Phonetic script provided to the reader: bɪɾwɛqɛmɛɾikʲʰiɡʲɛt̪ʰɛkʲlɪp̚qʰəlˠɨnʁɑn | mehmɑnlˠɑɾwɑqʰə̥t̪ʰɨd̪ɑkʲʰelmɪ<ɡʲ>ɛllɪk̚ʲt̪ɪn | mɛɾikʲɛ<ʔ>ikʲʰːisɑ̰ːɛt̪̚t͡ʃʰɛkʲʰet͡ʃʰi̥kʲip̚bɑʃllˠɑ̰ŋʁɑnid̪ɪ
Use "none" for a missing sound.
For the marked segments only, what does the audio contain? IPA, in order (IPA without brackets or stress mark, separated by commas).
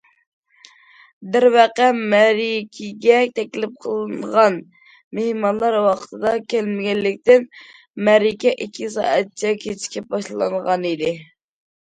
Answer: ɡʲ, ʔ